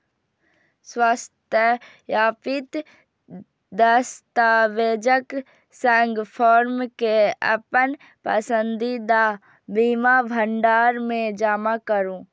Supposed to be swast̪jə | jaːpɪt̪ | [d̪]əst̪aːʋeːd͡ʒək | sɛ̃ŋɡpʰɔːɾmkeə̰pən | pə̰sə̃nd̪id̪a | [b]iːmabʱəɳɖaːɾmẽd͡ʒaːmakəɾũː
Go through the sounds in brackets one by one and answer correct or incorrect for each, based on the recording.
correct, correct

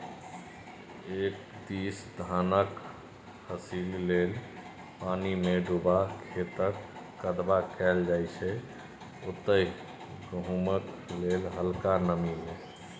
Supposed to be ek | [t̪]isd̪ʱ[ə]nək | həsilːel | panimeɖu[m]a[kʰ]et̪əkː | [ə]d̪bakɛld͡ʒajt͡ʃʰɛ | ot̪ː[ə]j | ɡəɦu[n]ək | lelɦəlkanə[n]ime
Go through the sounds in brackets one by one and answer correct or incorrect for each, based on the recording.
incorrect: d̪, incorrect: a, incorrect: b, correct, correct, correct, incorrect: m, incorrect: m

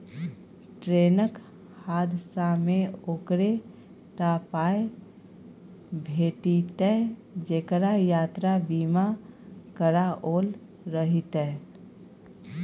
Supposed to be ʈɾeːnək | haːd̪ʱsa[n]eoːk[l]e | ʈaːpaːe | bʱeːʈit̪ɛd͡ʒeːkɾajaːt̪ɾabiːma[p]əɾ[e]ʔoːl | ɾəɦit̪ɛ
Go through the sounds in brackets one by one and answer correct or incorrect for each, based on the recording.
incorrect: m, incorrect: ɾ, incorrect: k, incorrect: a

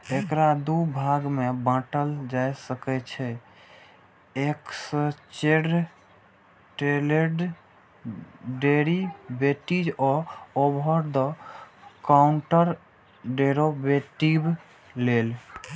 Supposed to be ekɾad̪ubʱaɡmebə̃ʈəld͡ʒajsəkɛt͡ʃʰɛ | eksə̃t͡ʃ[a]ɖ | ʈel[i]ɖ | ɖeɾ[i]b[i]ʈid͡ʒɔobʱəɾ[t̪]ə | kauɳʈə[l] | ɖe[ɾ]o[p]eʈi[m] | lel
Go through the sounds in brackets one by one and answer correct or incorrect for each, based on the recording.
incorrect: e, incorrect: e, correct, incorrect: e, incorrect: d̪, incorrect: ɾ, correct, incorrect: b, incorrect: b

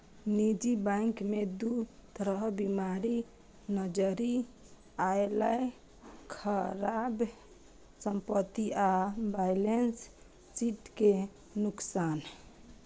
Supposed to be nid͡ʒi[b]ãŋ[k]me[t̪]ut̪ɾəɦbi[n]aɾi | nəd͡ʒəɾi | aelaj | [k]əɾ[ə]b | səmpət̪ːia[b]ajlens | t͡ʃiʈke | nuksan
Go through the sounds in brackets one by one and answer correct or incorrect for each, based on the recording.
correct, correct, incorrect: d̪, incorrect: m, incorrect: kʰ, incorrect: a, correct

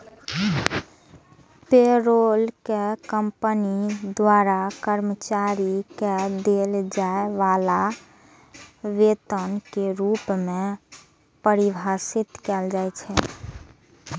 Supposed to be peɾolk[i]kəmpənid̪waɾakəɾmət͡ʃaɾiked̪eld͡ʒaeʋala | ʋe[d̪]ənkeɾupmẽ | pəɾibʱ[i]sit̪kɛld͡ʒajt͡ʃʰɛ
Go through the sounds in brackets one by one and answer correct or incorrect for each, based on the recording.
incorrect: e, incorrect: t̪, incorrect: a

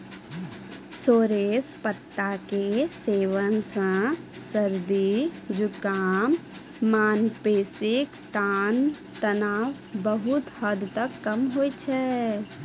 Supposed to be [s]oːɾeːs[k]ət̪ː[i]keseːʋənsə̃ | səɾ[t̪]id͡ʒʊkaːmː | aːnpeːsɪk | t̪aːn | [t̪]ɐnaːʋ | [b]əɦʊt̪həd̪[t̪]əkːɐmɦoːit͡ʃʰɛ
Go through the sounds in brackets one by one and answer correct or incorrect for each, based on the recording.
correct, incorrect: p, incorrect: a, incorrect: d̪, correct, correct, correct

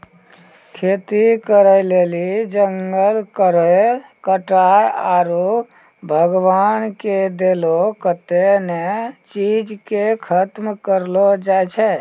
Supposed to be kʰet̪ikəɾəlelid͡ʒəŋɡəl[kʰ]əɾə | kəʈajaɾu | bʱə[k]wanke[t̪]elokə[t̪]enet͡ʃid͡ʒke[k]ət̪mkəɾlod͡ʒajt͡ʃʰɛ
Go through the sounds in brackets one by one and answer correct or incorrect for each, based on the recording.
incorrect: k, incorrect: ɡ, incorrect: d̪, correct, incorrect: kʰ

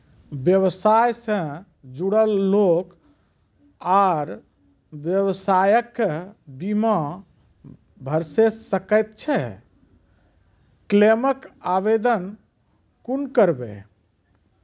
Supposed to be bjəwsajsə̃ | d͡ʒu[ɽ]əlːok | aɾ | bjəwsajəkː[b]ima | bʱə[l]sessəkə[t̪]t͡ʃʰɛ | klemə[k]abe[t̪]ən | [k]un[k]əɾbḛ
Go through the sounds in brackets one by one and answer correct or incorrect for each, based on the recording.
correct, correct, incorrect: ɾ, correct, correct, incorrect: d̪, correct, correct

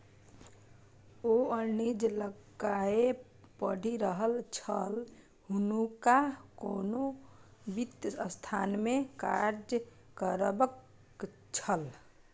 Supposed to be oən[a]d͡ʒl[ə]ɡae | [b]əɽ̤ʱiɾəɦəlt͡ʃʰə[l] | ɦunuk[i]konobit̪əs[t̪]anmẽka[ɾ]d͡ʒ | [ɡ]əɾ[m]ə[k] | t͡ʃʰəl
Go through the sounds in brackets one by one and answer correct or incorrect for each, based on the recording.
incorrect: i, correct, incorrect: p, correct, incorrect: a, incorrect: t̪ʰ, correct, incorrect: k, incorrect: b, correct

